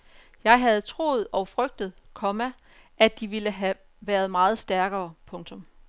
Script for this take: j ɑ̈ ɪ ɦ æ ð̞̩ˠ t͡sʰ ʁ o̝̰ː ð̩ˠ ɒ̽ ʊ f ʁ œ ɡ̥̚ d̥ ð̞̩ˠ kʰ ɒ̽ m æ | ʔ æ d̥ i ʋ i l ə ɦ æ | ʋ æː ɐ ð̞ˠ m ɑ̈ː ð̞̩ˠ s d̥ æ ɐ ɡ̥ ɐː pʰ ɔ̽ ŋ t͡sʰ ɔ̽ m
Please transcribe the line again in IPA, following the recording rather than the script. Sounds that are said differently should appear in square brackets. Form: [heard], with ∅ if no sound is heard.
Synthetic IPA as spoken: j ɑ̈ ɪ ɦ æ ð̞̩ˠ t͡sʰ ʁ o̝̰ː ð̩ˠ ɒ̽ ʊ f ʁ œ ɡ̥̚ d̥ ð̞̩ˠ kʰ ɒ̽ m æ | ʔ æ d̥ i ʋ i l ə ɦ æ | ʋ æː ɐ ð̞ˠ m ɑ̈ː ð̞̩ˠ s d̥ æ ɐ ɡ̥ ɐː pʰ ɔ̽ ŋ t͡sʰ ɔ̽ m